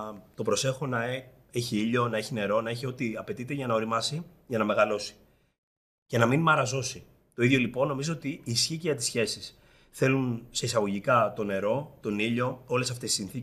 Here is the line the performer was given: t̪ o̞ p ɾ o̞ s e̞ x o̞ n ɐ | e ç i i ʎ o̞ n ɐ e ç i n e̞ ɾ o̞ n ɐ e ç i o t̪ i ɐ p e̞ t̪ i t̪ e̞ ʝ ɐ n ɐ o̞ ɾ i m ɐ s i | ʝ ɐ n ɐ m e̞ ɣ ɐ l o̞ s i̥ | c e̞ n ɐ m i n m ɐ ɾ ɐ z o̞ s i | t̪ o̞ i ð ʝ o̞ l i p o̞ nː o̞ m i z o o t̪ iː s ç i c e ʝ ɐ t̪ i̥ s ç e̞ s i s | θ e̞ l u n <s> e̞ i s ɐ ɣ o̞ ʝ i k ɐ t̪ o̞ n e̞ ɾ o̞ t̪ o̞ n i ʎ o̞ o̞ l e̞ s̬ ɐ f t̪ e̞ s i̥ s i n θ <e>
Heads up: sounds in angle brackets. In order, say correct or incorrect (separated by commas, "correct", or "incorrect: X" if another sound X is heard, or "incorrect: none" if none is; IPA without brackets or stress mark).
correct, incorrect: i